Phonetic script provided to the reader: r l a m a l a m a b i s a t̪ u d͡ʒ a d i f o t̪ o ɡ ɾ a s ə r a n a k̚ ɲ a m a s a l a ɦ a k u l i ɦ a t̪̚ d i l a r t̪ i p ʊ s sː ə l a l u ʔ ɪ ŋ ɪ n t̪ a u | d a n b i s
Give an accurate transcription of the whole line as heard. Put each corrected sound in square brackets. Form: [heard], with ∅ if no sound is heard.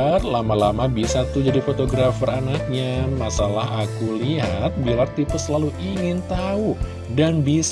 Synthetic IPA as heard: r l a m a l a m a b i s a t̪ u d͡ʒ a d i f o t̪ o ɡ ɾ a [f] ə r a n a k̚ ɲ a m a s a l a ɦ a k u l i ɦ a t̪̚ [b] i l a r t̪ i p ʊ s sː ə l a l u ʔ [i] ŋ ɪ n t̪ a u | d a n b i s